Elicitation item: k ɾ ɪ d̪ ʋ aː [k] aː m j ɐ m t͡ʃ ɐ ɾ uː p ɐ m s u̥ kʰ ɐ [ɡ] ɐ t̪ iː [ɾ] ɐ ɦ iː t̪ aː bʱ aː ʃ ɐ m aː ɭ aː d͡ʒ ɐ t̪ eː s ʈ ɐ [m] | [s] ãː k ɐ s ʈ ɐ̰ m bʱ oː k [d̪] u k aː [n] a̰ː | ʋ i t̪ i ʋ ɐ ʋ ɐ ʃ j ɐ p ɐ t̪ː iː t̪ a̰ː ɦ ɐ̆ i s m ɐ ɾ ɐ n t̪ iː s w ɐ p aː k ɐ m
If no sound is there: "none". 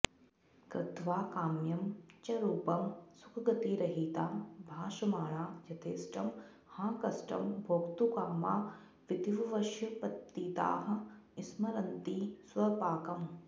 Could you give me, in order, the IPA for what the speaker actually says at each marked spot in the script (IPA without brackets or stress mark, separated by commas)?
k, ɡ, ɾ, m, h, t̪, m